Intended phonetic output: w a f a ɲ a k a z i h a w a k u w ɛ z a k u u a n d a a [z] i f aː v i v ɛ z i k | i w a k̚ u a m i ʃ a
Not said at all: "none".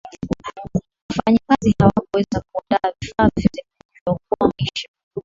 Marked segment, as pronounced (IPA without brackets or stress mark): v